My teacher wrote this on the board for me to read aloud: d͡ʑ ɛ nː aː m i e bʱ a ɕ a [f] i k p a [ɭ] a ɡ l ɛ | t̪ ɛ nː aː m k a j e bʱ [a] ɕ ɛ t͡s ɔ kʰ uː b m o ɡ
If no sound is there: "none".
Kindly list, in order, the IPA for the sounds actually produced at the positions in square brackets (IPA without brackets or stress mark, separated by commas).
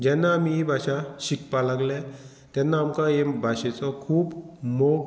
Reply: ɕ, l, a